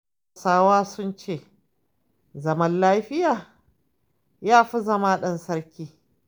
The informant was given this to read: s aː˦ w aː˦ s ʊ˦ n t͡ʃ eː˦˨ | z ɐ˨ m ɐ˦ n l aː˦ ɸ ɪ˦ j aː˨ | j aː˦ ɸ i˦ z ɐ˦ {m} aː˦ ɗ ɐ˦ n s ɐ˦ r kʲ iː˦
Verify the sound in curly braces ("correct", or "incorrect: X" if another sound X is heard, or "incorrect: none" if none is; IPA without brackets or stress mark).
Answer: correct